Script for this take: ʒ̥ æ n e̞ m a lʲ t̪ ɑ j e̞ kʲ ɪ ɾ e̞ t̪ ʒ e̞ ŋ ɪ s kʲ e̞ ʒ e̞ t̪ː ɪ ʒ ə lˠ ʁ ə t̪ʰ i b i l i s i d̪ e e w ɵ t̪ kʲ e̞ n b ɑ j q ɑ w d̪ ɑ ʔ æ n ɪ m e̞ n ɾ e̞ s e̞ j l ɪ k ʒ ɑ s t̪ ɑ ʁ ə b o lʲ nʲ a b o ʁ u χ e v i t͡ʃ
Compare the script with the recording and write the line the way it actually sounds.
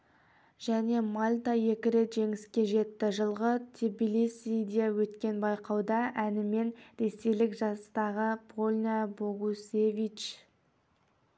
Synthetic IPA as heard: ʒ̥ æ n e̞ m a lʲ t̪ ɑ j e̞ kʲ ɪ ɾ e̞ t̪ ʒ e̞ ŋ ɪ s kʲ e̞ ʒ e̞ t̪ː ɪ ʒ ə lˠ ʁ ə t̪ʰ i b i l i s i d̪ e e w ɵ t̪ kʲ e̞ n b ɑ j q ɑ w d̪ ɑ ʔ æ n ɪ m e̞ n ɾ e̞ s e̞ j l ɪ k ʒ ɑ s t̪ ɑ ʁ ə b o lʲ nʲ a b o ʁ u s e v i t͡ʃ